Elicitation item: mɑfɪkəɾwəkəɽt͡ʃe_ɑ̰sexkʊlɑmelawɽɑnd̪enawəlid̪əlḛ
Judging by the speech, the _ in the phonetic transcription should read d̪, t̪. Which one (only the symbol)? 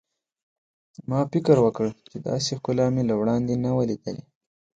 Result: d̪